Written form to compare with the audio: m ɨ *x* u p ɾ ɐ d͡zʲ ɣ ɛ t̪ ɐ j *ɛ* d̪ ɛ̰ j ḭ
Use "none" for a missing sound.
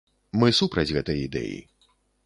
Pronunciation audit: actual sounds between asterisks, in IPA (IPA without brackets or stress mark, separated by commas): s, i